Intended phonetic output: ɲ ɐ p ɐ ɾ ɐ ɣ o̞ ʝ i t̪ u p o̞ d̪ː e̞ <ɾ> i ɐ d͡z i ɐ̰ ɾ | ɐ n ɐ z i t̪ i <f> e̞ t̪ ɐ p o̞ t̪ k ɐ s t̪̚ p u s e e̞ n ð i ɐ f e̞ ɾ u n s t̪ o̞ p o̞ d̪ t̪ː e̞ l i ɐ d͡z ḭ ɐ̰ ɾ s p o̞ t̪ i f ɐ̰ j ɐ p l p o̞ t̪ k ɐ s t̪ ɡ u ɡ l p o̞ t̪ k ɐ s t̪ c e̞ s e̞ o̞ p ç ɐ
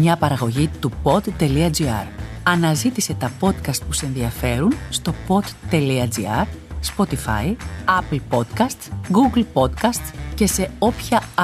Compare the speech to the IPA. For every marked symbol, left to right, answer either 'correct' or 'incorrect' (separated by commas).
incorrect, incorrect